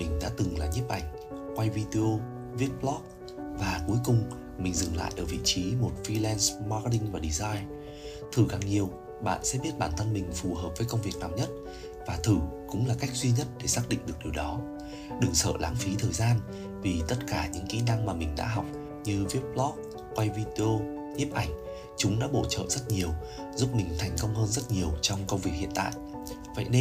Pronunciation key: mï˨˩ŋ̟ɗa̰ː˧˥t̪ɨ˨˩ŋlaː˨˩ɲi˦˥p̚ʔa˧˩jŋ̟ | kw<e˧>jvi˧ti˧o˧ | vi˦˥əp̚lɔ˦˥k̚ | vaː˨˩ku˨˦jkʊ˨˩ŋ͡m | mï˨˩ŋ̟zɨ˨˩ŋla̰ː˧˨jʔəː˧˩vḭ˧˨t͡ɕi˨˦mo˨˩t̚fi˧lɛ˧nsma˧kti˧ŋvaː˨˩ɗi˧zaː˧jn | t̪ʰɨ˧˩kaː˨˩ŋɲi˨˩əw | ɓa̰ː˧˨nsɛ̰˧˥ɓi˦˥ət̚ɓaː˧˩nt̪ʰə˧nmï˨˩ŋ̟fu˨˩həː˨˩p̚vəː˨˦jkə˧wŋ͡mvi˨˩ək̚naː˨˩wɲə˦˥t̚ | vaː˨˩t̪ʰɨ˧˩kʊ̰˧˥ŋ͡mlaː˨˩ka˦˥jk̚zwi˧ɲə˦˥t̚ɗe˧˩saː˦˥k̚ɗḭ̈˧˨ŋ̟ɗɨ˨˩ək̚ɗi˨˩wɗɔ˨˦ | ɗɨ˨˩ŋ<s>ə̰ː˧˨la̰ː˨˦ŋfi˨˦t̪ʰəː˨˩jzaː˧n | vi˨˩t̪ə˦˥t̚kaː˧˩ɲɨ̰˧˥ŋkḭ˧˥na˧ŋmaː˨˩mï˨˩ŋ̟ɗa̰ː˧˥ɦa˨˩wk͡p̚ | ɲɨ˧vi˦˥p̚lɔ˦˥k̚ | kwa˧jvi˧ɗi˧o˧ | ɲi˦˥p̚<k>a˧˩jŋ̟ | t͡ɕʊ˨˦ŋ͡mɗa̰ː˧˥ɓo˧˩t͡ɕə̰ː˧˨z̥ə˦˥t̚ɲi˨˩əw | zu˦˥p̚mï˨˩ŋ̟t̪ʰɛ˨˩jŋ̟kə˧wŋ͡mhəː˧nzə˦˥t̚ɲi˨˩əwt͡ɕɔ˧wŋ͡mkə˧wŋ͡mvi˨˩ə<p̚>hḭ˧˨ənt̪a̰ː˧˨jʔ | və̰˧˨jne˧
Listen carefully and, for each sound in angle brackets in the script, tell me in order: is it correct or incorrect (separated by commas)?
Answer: incorrect, correct, incorrect, incorrect